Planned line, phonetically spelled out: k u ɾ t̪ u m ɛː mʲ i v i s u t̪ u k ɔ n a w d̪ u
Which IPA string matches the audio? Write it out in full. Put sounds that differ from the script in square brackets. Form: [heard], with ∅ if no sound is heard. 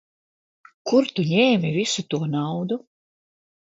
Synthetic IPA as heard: k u ɾ t̪ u [ɲ] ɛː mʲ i v i s u t̪ u [∅] ɔ n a w d̪ u